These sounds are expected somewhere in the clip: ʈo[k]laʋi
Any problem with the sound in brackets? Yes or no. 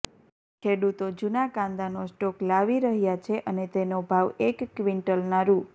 no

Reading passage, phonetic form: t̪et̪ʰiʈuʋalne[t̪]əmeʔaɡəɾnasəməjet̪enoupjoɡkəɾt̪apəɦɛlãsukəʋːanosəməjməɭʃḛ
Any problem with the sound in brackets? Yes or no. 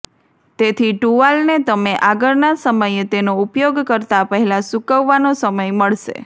no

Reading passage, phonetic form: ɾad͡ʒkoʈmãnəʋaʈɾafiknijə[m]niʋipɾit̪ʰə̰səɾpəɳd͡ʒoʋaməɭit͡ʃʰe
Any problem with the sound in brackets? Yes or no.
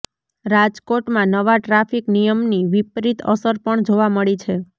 no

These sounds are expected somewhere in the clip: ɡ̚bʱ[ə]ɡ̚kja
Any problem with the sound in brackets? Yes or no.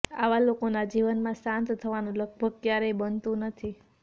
no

